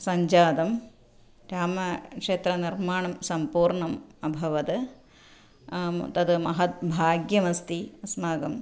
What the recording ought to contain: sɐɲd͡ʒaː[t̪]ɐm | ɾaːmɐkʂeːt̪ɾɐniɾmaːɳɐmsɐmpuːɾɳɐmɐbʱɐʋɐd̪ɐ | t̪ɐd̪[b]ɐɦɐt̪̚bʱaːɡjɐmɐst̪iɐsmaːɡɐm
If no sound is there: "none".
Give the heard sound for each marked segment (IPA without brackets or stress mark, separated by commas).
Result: d̪, m